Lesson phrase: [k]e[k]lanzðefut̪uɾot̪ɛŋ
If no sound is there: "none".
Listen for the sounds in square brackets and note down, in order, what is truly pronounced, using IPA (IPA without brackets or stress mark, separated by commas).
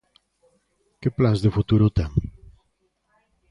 k, p